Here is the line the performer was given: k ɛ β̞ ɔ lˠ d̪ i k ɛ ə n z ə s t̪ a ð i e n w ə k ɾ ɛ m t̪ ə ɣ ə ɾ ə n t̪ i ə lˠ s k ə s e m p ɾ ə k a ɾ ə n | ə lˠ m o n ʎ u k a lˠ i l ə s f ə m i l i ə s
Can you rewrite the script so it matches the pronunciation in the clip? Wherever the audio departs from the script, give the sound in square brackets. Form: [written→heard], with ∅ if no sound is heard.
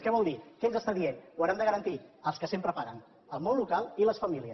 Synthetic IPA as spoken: k ɛ β̞ ɔ lˠ d̪ i k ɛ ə n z ə s t̪ a ð i e n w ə [k→∅] ɾ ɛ m [t̪→d̪] ə ɣ ə ɾ ə n t̪ i ə lˠ s k ə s e m p ɾ ə [k→p] a ɾ ə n | ə lˠ m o n [ʎ→l] u k a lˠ i l ə s f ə m i l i ə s